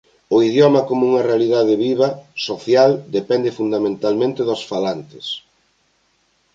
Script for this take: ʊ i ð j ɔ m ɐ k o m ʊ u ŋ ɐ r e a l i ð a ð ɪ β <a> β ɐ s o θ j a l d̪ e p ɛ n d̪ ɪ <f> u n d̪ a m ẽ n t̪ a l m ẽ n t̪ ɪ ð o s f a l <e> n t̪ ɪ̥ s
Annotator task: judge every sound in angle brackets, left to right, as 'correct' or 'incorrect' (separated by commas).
incorrect, correct, incorrect